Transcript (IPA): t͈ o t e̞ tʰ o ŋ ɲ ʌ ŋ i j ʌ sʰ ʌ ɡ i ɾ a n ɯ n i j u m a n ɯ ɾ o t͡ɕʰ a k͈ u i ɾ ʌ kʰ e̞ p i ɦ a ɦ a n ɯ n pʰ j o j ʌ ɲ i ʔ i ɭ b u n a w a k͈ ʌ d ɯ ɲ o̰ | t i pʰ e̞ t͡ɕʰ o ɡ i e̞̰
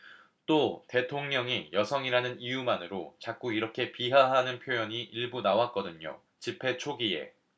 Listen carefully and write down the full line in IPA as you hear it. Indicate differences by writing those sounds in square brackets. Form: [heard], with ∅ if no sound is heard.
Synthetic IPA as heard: t͈ o t e̞ tʰ o ŋ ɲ ʌ ŋ i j ʌ sʰ ʌ [ŋ] i ɾ a n ɯ n i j u m a n ɯ ɾ o [t͡ɕ] a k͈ u i ɾ ʌ kʰ e̞ p i ɦ a ɦ a n ɯ n pʰ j o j ʌ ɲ i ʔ i ɭ b u n a w a k͈ ʌ d ɯ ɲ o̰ | [t͡ɕ] i pʰ e̞ t͡ɕʰ o ɡ i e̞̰